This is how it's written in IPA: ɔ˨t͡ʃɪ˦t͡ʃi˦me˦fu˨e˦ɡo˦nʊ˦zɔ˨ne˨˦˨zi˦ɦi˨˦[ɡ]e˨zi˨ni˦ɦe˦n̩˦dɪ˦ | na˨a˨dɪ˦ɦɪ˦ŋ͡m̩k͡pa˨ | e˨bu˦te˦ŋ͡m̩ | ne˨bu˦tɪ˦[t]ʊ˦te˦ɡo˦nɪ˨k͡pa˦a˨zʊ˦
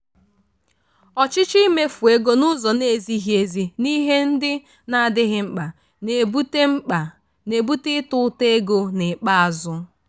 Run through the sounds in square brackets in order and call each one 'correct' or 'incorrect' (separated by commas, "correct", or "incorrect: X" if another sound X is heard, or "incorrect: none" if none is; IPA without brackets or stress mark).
incorrect: none, correct